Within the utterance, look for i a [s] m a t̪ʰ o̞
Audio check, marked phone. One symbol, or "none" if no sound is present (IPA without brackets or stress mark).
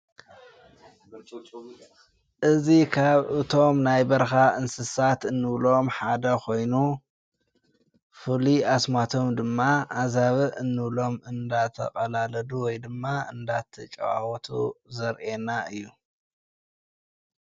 s